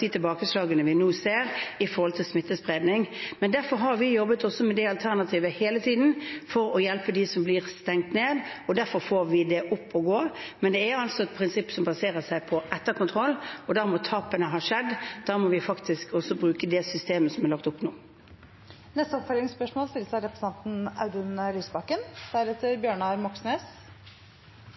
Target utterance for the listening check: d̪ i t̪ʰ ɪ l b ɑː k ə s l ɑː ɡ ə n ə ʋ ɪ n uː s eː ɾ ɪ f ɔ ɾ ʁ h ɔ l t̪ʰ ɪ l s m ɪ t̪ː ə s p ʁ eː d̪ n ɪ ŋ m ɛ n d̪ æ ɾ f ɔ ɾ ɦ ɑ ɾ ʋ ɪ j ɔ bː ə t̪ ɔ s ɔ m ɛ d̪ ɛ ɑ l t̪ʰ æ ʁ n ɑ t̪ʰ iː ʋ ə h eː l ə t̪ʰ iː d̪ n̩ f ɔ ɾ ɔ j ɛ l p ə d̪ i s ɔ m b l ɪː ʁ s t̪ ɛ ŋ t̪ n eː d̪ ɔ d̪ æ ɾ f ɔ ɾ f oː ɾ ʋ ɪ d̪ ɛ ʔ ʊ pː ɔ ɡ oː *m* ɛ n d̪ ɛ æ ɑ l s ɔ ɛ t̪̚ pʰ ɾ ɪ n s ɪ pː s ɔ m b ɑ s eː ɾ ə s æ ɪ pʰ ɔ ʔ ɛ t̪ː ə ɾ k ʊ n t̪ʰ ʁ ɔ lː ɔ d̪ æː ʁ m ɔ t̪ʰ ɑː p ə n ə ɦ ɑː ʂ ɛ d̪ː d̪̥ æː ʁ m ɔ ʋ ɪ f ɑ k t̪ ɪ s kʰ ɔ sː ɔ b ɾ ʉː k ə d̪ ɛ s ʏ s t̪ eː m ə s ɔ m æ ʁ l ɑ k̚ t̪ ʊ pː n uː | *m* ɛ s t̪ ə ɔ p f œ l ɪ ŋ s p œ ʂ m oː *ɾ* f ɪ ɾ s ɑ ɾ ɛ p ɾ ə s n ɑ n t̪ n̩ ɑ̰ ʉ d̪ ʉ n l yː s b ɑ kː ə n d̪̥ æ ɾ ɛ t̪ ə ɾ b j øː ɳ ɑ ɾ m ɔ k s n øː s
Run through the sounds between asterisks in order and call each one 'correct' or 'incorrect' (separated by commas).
correct, incorrect, incorrect